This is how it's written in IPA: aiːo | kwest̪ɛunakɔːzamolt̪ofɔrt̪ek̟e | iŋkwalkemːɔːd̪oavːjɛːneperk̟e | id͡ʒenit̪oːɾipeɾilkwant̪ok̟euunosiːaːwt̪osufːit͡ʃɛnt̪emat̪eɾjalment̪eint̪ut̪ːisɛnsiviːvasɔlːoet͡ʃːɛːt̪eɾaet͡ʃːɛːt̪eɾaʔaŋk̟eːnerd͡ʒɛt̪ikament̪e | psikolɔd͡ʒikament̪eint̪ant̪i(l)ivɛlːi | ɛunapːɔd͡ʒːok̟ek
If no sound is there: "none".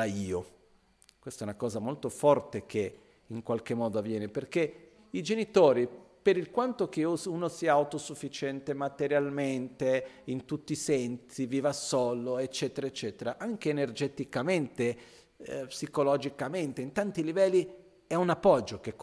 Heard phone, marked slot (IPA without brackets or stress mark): l